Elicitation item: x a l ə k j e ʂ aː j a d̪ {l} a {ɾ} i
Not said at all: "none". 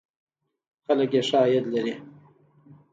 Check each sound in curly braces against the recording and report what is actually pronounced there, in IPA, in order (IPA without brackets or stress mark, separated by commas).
l, ɾ